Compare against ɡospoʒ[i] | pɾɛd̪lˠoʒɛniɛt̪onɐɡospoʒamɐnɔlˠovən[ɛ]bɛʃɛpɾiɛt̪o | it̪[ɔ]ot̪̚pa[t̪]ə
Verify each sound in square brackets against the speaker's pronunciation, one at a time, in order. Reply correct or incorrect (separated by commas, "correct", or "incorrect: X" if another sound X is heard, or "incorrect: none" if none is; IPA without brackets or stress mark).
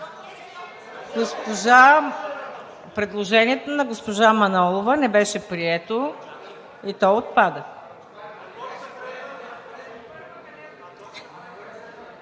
incorrect: a, correct, correct, incorrect: d̪